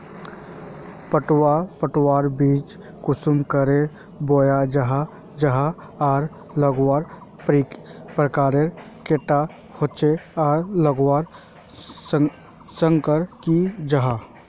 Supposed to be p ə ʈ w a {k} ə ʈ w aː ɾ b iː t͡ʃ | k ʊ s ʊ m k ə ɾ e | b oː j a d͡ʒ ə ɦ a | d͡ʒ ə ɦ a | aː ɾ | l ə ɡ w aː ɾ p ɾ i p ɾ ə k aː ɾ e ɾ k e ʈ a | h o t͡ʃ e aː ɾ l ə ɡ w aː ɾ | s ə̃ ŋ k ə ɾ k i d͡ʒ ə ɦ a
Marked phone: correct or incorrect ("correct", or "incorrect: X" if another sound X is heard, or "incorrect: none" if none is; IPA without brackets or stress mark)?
incorrect: p